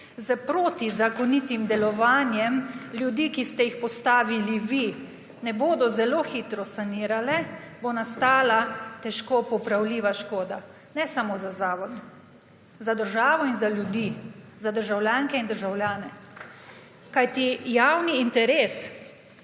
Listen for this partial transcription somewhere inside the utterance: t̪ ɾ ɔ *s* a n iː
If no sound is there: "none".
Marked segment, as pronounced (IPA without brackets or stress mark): s